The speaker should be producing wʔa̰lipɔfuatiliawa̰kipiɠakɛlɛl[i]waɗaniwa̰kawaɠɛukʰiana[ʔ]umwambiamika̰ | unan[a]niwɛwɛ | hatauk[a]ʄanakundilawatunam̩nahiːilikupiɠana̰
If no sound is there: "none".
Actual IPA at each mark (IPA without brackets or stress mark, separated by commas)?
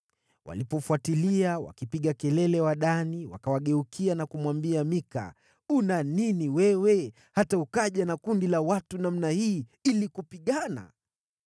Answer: ɛ, k, i, a